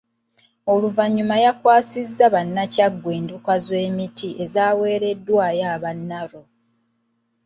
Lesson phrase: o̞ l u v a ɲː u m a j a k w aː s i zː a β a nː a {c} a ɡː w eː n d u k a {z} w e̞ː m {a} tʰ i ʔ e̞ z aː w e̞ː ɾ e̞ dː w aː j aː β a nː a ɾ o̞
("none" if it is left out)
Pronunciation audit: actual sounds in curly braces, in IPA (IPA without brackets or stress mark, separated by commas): c, z, i